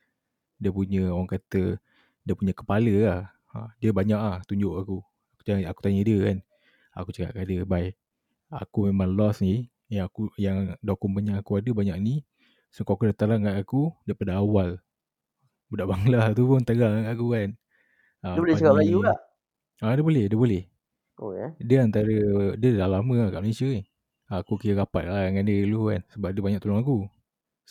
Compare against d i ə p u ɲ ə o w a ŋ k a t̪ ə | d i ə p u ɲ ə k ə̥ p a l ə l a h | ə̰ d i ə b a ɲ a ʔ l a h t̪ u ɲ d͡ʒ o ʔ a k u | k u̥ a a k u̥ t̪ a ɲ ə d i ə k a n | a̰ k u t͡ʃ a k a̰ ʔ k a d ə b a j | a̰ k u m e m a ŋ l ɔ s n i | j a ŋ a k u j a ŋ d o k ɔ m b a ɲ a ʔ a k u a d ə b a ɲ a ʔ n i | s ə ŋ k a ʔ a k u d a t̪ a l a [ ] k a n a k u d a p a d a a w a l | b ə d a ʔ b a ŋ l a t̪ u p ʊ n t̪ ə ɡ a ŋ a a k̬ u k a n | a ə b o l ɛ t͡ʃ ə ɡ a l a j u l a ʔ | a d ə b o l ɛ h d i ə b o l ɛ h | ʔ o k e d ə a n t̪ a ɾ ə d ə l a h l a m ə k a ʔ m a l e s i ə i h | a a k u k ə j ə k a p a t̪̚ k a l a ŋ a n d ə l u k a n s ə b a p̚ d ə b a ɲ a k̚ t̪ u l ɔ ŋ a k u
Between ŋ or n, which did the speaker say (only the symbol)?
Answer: ŋ